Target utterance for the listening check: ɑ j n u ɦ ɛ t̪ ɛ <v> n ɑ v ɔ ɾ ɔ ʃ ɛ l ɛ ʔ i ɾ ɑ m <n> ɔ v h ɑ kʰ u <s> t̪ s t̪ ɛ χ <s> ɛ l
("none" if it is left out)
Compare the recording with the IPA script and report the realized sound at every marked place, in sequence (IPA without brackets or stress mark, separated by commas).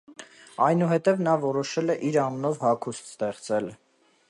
v, n, s, t͡s